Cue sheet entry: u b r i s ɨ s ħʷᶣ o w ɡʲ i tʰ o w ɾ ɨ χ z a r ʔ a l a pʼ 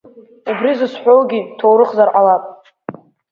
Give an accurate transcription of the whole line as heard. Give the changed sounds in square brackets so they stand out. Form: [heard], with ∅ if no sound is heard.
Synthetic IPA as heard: u b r i [z] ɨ s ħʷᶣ o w ɡʲ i tʰ o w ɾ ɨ χ z a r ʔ a l a pʼ